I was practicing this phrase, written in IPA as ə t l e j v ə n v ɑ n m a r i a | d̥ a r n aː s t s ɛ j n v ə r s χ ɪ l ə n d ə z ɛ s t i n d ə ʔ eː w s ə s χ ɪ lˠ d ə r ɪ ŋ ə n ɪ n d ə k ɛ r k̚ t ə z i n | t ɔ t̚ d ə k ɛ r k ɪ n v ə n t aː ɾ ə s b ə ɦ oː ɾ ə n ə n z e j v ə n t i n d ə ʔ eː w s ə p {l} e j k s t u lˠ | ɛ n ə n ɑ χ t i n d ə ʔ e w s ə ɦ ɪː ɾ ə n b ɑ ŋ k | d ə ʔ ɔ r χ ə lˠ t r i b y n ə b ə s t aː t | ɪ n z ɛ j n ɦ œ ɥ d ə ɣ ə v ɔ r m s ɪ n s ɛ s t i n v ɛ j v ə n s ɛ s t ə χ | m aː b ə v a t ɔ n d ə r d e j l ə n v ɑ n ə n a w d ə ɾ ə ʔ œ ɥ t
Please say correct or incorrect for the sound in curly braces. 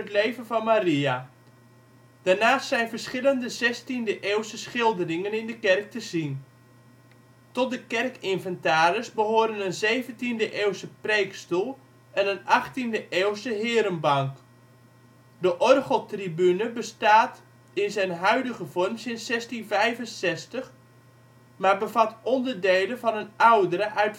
incorrect